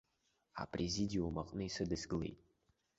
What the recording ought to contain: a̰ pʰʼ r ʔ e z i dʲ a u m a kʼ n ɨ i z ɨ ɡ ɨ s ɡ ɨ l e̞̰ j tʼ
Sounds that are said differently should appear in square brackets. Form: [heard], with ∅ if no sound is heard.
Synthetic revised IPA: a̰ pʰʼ r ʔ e z i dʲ [i] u m a [qʼ] n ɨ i [s] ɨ [d] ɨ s ɡ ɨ l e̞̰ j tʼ